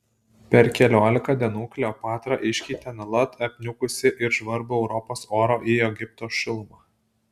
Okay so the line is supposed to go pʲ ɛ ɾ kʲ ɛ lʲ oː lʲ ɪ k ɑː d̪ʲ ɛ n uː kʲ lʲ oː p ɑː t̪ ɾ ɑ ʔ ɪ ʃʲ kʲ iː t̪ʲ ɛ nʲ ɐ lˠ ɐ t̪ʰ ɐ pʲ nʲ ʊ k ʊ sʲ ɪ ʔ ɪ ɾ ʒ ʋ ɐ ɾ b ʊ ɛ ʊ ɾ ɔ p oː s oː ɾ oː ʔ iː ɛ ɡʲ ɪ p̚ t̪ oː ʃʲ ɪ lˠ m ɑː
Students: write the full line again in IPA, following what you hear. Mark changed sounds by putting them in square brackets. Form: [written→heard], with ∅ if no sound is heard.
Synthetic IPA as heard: pʲ ɛ ɾ kʲ ɛ lʲ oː lʲ ɪ k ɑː d̪ʲ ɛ n uː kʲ lʲ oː p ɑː t̪ ɾ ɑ ʔ ɪ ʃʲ kʲ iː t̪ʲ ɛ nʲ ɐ lˠ ɐ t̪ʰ ɐ pʲ nʲ ʊ k ʊ sʲ ɪ ʔ ɪ ɾ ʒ ʋ ɐ ɾ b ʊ ɛ ʊ ɾ ɔ p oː s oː ɾ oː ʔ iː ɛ ɡʲ ɪ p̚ t̪ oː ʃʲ ɪ lˠ m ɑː